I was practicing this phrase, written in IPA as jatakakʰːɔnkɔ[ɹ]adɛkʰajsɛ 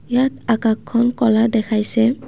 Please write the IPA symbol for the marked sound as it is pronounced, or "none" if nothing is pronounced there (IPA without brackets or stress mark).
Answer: l